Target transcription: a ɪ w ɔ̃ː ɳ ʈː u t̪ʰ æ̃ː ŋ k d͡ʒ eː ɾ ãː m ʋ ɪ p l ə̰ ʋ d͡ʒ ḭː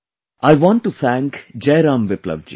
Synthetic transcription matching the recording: a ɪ ʋ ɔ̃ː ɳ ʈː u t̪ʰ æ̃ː ŋ k d͡ʒ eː ɾ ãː m ʋ ɪ p l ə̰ ʋ d͡ʒ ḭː